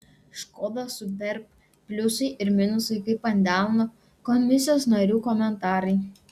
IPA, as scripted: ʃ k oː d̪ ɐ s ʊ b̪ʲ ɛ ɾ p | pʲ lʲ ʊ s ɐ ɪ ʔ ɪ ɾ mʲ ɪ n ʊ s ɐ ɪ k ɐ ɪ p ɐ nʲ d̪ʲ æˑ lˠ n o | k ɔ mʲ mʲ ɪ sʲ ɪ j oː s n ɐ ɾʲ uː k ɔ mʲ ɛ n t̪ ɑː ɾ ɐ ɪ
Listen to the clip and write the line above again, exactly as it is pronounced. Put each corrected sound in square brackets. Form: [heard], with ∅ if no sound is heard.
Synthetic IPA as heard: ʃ k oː d̪ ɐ s ʊ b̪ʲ ɛ ɾ p | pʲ lʲ ʊ s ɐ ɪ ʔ ɪ ɾ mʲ ɪ n ʊ s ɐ ɪ k ɐ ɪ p ɐ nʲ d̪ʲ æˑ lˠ n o | k ɔ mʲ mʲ ɪ sʲ ɪ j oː s n ɐ ɾʲ uː k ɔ mʲ ɛ n t̪ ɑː ɾ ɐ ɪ